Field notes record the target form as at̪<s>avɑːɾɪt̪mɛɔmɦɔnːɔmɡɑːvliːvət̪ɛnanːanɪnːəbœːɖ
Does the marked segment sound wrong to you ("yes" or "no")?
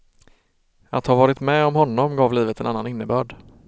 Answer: yes